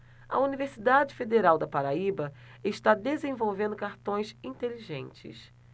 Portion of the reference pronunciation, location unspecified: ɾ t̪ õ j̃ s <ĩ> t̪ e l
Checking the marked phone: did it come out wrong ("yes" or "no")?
no